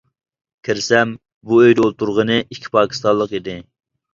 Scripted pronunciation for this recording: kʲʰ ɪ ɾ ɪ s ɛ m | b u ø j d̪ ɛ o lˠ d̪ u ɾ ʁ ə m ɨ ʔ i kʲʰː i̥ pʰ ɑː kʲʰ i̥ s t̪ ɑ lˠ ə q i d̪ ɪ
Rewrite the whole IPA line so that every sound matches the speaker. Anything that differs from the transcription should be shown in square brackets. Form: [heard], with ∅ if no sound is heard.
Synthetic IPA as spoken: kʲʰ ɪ ɾ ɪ s ɛ m | b u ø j d̪ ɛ o lˠ [t̪] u ɾ ʁ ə [n] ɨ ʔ i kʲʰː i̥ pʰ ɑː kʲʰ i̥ s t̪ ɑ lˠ ə q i d̪ ɪ